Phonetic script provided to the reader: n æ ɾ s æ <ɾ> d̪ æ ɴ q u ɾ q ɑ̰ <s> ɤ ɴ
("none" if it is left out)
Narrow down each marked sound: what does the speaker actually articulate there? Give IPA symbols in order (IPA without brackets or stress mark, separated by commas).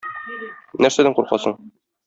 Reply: none, s